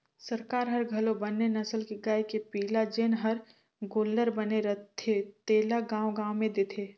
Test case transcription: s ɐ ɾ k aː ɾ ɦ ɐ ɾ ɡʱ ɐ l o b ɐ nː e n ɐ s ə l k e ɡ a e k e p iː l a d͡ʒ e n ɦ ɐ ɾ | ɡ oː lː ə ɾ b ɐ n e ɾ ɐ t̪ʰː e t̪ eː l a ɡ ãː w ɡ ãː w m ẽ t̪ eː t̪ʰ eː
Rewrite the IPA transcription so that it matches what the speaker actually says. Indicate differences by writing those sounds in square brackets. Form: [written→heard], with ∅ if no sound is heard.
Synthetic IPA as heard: s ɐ ɾ k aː ɾ ɦ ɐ ɾ ɡʱ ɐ l o b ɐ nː e n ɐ s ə l k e ɡ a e k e p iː l a d͡ʒ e n ɦ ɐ ɾ | ɡ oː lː ə ɾ b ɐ n e ɾ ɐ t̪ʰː e t̪ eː l a ɡ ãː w ɡ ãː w m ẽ [t̪→d̪] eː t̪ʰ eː